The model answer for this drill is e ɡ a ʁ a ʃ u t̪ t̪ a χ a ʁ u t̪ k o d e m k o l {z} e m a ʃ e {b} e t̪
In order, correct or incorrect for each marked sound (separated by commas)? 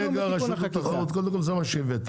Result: correct, incorrect